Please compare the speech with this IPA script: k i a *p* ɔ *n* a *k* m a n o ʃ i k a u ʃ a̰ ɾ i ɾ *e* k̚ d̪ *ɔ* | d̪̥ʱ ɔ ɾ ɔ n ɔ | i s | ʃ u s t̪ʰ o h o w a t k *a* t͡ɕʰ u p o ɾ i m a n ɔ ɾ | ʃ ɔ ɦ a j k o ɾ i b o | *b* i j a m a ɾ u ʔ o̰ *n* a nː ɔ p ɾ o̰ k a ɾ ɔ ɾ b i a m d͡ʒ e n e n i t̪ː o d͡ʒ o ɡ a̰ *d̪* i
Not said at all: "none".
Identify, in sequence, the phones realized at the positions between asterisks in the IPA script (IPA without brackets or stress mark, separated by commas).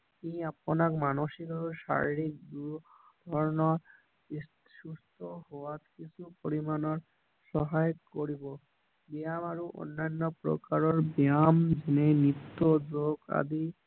p, n, k, i, u, i, b, nː, d̪